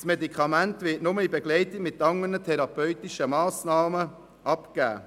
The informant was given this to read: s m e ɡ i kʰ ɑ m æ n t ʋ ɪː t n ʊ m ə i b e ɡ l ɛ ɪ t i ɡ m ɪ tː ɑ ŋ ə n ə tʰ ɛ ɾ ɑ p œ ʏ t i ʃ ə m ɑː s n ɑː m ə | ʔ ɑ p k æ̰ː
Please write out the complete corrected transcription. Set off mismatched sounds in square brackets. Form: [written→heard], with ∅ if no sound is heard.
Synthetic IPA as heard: s m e [ɡ→d] i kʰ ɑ m æ n t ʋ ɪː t n ʊ m ə i b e ɡ l ɛ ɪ t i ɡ m ɪ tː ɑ ŋ ə n ə tʰ ɛ ɾ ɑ p œ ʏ t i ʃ ə m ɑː s n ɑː m ə | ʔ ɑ p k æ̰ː